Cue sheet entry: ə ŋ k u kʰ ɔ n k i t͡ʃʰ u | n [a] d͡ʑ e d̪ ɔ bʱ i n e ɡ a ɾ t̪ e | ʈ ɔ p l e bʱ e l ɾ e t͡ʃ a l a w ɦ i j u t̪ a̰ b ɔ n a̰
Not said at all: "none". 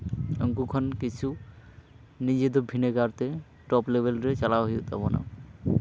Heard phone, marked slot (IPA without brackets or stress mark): i